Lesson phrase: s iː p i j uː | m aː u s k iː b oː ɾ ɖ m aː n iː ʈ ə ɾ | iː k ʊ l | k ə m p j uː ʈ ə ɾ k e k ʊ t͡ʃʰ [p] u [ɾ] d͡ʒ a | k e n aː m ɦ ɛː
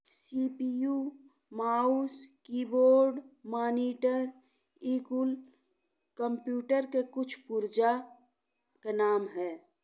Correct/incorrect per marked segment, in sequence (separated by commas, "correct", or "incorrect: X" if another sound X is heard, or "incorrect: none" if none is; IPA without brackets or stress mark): correct, correct